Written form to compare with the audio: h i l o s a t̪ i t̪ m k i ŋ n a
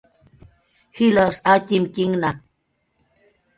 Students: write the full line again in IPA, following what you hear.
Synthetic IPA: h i l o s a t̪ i m k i ŋ n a